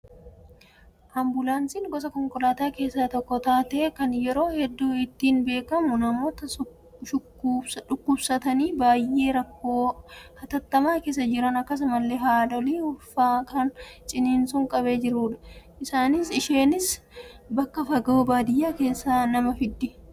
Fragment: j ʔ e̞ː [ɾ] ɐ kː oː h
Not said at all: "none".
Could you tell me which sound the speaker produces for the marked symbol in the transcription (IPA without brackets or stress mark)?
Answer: ɾ